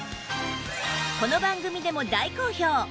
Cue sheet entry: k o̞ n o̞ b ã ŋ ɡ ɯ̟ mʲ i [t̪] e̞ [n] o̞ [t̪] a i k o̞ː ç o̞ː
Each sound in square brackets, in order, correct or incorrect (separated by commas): incorrect, incorrect, incorrect